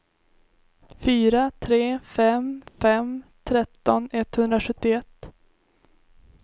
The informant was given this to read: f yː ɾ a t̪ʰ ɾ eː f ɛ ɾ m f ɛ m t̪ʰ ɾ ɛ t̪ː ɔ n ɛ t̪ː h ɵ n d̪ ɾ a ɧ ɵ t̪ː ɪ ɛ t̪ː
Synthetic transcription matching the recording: f yː ɾ a t̪ʰ ɾ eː f ɛ m f ɛ m t̪ʰ ɾ ɛ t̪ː ɔ n ɛ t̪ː h ɵ n d̪ ɾ a ɧ ɵ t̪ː ɪ ɛ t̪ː